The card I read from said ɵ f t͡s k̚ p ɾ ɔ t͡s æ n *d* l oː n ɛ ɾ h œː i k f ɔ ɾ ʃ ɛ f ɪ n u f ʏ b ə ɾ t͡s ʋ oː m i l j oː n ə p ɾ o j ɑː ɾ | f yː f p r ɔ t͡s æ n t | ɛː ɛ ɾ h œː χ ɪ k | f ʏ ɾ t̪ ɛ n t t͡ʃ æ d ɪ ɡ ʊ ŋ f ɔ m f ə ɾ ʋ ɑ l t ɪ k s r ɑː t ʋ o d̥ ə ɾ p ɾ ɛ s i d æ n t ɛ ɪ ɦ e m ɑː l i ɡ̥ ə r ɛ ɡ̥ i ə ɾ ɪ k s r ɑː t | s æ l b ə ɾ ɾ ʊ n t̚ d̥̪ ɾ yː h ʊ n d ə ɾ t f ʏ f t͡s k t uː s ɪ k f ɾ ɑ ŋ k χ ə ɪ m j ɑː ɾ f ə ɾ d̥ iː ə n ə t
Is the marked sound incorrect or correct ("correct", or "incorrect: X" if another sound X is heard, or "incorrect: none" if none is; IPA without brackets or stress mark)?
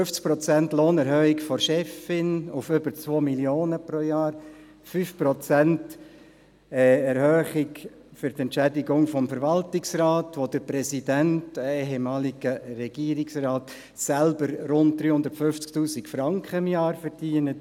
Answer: incorrect: t